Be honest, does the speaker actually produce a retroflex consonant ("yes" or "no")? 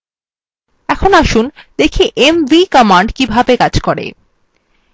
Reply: yes